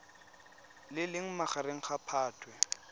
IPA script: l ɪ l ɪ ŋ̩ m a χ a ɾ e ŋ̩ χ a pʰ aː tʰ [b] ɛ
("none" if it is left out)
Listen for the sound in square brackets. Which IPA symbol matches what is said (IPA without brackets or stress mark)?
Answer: w